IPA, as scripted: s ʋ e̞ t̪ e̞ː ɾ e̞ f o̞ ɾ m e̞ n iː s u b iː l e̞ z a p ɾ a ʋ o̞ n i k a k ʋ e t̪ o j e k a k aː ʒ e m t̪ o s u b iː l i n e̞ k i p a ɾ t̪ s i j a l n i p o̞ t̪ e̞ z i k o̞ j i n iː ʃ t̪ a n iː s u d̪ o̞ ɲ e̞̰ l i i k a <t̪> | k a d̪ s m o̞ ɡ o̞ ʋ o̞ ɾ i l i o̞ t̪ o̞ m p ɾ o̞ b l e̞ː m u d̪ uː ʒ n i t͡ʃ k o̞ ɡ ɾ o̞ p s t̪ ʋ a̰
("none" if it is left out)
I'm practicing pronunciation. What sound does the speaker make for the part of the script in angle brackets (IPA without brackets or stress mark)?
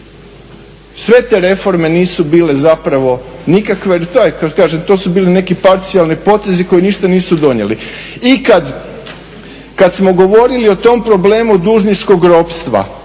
d̪